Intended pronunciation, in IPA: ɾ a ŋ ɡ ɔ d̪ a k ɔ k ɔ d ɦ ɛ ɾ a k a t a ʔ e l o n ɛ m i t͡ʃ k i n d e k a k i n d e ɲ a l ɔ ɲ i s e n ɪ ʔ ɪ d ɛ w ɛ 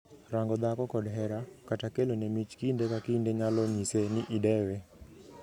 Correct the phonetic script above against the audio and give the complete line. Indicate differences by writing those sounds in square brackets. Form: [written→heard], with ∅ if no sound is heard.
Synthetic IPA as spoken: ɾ a ŋ ɡ ɔ d̪ a k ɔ k ɔ d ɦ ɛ ɾ a k a t a [ʔ→k] e l o n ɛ m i t͡ʃ k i n d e k a k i n d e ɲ a l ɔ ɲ i s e n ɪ ʔ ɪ d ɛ w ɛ

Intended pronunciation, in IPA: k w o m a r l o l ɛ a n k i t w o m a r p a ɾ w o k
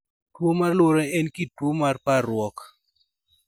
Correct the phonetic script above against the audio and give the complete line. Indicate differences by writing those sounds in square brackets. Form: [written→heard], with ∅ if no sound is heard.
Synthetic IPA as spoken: [k→t] w o m a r l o [l→ɾ] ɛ [a→ɛ] n k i t w o m a r p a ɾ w [o→ɔ] k

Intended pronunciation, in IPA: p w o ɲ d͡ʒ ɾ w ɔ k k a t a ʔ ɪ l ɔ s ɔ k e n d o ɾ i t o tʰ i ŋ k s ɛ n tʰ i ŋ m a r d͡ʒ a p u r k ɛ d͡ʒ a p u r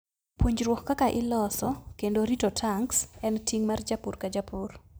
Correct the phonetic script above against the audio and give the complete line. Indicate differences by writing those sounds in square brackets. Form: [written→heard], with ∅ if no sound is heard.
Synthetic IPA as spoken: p w o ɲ d͡ʒ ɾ w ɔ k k a [t→k] a ʔ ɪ l ɔ s ɔ k e n d o ɾ i t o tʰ [i→a] ŋ k s ɛ n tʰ i ŋ m a r d͡ʒ a p u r k [ɛ→a] d͡ʒ a p u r

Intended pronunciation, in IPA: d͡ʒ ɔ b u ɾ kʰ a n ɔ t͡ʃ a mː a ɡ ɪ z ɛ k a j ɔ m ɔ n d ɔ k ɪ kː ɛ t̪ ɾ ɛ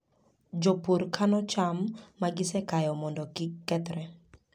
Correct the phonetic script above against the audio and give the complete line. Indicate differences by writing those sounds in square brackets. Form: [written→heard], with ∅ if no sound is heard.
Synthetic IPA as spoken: d͡ʒ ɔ [b→p] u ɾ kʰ a n ɔ t͡ʃ a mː a ɡ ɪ [z→s] ɛ k a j ɔ m ɔ n d ɔ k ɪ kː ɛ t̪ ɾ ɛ

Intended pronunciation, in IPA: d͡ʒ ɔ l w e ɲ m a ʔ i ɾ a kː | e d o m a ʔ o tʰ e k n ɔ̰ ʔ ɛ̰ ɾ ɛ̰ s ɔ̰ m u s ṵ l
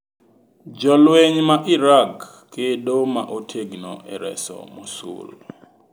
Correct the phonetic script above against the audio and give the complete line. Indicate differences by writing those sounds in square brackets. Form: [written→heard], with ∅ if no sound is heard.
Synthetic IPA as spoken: d͡ʒ ɔ l w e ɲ m a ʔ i ɾ a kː | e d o m a ʔ o tʰ e [k→ɡ] n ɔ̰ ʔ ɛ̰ ɾ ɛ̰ s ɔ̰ m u s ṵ l

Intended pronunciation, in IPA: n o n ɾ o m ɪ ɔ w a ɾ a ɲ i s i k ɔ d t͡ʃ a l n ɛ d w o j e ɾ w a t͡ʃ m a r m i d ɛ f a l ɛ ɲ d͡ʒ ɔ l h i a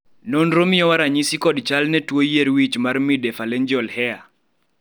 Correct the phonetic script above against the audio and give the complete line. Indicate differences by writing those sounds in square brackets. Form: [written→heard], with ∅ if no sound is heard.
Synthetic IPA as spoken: n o n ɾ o m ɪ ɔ w a ɾ a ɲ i s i k ɔ d t͡ʃ a l n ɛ [d→t] w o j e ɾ w [a→i] t͡ʃ m a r m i d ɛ f a l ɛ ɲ d͡ʒ ɔ l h [i→ɛ] a

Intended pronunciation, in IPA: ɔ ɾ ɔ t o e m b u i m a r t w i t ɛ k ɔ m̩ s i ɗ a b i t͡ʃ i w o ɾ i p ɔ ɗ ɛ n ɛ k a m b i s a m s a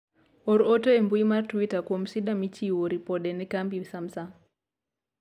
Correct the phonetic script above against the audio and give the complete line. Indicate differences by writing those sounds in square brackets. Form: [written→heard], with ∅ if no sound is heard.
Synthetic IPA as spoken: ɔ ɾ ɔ t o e m b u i m a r t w i t [ɛ→a] k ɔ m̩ s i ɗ a [b→m] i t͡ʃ i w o ɾ i p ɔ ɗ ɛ n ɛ k a m b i s a m s a

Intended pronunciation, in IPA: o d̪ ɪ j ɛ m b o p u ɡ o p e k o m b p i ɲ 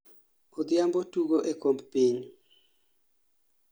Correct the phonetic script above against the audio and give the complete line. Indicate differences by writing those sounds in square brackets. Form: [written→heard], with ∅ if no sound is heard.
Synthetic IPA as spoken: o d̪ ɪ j [ɛ→a] m b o [p→t] u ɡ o [p→ʔ] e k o m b p i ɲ

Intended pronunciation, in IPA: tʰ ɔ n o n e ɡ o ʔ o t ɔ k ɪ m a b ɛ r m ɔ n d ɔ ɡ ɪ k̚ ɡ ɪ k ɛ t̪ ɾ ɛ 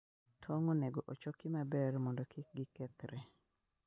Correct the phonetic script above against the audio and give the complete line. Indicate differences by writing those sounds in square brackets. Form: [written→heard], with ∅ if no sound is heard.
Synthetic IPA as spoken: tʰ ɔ [n→ŋ] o n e ɡ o ʔ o [t→t͡ʃ] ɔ k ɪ m a b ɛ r m ɔ n d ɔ [ɡ→k] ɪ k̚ ɡ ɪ k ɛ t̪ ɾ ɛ

